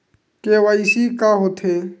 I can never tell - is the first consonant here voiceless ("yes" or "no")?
yes